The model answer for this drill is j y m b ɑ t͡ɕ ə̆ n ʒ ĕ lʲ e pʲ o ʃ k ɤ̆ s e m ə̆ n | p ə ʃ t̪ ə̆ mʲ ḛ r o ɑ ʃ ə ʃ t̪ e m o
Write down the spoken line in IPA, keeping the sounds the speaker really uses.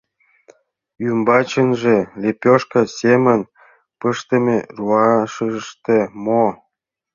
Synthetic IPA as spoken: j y m b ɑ t͡ɕ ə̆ n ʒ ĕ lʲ e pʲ o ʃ k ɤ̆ s e m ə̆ n | p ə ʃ t̪ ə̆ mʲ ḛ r u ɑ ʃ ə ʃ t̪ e m o